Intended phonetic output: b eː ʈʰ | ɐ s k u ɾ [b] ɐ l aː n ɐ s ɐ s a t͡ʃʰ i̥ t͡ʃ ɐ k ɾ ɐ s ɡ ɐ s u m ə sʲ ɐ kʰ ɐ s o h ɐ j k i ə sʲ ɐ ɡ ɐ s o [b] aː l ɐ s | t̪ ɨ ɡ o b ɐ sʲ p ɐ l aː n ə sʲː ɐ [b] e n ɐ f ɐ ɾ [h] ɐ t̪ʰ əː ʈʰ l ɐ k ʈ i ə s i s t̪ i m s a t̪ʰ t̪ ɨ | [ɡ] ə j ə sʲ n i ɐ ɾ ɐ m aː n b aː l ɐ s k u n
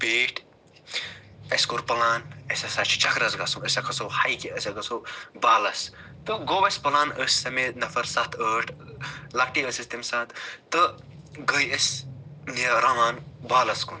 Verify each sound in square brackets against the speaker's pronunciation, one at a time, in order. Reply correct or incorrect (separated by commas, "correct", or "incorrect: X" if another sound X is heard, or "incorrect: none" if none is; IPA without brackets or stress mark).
incorrect: p, correct, incorrect: m, incorrect: s, correct